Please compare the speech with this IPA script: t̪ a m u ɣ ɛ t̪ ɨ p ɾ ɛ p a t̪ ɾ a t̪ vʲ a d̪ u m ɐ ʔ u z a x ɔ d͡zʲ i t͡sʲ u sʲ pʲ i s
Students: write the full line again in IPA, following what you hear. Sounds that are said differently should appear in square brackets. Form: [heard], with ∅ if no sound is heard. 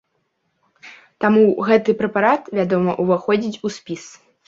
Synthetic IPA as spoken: t̪ a m u ɣ ɛ t̪ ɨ p ɾ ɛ p a [∅] ɾ a t̪ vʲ a d̪ [ɔ] m ɐ ʔ u [v] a x ɔ d͡zʲ i t͡sʲ u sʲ pʲ i s